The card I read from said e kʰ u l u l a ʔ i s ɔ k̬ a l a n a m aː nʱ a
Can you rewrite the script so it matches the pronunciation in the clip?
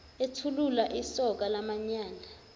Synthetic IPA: e tʰ u l u l a ʔ i s ɔ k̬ a l a m a ɲ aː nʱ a

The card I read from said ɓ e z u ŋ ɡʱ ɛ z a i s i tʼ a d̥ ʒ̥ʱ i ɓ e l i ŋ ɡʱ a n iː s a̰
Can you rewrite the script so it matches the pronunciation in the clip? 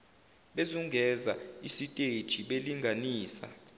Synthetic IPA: ɓ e z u ŋ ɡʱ ɛ z a i s i tʼ e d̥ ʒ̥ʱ i ɓ e l i ŋ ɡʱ a n iː s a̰

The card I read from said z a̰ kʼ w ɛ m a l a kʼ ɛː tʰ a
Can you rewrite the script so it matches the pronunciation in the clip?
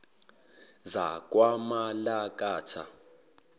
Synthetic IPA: z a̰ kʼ w a m a l a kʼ aː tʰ a

